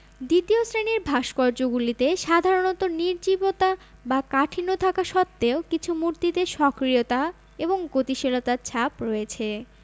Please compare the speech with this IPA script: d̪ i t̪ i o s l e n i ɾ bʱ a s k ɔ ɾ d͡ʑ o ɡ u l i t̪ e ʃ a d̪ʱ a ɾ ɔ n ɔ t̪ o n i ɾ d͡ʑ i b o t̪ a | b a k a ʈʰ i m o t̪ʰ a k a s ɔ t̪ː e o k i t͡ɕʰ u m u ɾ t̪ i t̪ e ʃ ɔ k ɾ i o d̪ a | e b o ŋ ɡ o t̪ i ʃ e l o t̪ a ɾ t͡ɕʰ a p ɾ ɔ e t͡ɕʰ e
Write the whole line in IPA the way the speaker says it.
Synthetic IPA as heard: d̪ i t̪ i o s ɾ e n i ɾ bʱ a ʃ k ɔ ɾ d͡ʑ o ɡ u l i t̪ e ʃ a d̪ʱ a ɾ o n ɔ t̪ o n i ɾ d͡ʑ i b o t̪ a | b a k a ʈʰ i n o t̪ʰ a k a ʃ ɔ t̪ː e o k i t͡ɕʰ u m u ɾ t̪ i t̪ e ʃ ɔ k ɾ i o t̪ a | e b o ŋ ɡ o t̪ i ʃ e l o t̪ a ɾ t͡ɕʰ a p ɾ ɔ e t͡ɕʰ e